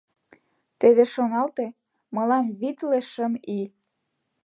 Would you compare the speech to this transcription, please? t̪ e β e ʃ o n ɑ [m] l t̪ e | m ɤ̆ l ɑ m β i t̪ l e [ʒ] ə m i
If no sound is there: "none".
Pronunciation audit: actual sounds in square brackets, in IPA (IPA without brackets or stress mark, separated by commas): none, ʃ